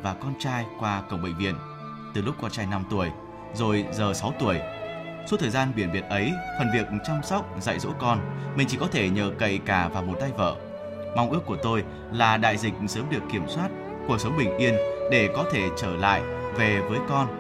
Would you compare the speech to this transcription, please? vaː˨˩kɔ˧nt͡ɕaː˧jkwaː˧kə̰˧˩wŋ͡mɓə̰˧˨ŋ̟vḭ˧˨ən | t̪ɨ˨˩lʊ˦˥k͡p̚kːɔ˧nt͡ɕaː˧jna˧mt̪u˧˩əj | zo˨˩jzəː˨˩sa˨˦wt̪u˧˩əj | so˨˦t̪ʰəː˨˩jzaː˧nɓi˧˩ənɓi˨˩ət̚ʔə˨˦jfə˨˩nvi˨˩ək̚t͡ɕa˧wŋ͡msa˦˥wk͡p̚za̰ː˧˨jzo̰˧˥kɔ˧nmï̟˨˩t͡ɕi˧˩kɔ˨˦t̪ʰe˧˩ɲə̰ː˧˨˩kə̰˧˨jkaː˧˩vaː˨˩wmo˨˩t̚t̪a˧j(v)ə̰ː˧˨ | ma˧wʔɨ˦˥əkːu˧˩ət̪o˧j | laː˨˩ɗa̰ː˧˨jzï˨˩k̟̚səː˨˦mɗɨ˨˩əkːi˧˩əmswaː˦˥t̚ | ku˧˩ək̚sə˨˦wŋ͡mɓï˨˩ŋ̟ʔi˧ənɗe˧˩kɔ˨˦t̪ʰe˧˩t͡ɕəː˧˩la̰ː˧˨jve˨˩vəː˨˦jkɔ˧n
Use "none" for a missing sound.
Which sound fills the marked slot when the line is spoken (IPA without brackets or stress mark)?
v